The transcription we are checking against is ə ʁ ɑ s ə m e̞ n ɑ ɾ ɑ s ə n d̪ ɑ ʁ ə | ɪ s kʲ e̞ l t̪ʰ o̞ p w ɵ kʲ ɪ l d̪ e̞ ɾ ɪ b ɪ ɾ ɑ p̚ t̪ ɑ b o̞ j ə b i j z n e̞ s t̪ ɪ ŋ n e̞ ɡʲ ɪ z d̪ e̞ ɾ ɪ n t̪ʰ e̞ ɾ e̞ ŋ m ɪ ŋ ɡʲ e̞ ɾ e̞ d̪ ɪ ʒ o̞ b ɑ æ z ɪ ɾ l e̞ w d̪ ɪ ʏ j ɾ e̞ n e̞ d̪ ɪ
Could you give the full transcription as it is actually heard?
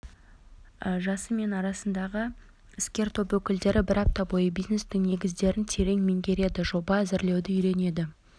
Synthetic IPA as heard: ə ʒ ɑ s ə m e̞ n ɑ ɾ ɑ s ə n d̪ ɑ ʁ ə | ɪ s kʲ e̞ ɾ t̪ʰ o̞ p w ɵ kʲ ɪ l d̪ e̞ ɾ ɪ b ɪ ɾ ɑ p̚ t̪ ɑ b o̞ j ə b i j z n e̞ s t̪ ɪ ŋ n e̞ ɡʲ ɪ z d̪ e̞ ɾ ɪ n t̪ʰ e̞ ɾ e̞ ŋ m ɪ ŋ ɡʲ e̞ ɾ e̞ d̪ ɪ ʒ o̞ b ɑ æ z ɪ ɾ l e̞ w d̪ ɪ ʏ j ɾ e̞ n e̞ d̪ ɪ